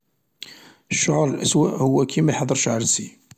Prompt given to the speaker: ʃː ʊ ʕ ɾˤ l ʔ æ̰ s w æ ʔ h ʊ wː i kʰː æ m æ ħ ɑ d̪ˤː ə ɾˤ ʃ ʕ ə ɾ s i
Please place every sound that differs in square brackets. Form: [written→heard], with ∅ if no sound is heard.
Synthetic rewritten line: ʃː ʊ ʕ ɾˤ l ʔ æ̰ s w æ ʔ h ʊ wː [i→æ] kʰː [æ→i] m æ ħ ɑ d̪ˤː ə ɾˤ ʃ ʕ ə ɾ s i

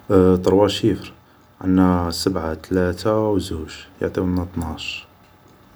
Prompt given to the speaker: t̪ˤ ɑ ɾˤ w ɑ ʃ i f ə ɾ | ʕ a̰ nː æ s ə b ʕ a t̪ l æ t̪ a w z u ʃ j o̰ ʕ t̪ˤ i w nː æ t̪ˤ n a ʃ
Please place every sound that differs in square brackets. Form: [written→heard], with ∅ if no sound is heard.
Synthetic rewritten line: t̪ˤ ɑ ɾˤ w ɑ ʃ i f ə ɾ | ʕ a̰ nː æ s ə b ʕ a t̪ l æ t̪ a w z u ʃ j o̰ ʕ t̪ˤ i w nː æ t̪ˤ n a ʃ

